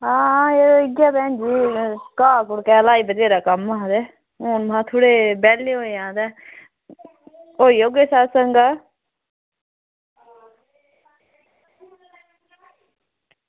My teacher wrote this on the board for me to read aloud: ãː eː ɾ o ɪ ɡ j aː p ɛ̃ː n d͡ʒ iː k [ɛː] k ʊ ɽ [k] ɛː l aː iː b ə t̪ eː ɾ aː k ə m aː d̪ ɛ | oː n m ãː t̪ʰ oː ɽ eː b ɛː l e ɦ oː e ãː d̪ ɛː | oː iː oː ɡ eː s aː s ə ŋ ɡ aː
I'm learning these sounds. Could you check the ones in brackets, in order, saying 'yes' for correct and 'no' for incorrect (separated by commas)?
no, yes